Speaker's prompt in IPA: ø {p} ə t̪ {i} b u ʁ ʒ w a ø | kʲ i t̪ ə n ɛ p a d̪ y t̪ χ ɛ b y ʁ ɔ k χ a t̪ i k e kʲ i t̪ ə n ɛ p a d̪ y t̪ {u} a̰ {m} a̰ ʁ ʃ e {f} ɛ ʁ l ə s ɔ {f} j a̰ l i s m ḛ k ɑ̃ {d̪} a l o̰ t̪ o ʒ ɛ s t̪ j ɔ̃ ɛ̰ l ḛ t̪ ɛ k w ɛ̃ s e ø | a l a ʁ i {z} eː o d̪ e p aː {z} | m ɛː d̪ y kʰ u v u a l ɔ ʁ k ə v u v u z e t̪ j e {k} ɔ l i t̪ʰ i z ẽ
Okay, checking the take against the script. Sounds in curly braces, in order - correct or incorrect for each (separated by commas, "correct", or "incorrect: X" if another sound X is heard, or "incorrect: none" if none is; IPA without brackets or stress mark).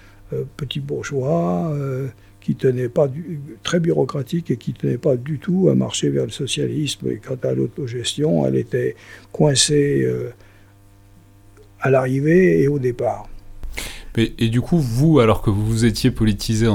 correct, correct, correct, correct, incorrect: v, incorrect: s, incorrect: t̪, incorrect: v, incorrect: ʁ, incorrect: p